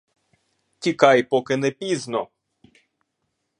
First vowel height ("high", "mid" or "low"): high